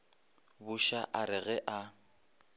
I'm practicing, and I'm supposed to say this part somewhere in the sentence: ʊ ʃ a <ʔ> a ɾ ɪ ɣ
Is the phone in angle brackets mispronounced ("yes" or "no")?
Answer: no